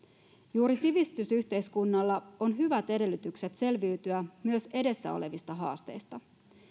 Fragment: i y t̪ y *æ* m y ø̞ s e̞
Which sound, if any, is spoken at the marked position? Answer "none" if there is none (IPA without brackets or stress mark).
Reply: æ